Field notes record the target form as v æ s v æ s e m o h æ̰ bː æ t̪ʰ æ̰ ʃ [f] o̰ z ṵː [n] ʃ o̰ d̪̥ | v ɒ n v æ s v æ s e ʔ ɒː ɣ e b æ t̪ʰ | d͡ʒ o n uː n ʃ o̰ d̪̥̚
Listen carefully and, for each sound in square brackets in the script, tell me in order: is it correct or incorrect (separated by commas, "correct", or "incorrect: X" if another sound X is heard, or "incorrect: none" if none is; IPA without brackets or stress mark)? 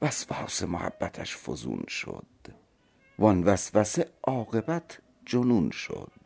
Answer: correct, correct